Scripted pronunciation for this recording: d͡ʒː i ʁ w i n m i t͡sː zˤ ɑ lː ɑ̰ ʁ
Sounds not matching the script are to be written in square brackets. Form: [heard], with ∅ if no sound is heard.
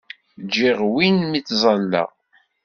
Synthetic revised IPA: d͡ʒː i ʁ w i n m i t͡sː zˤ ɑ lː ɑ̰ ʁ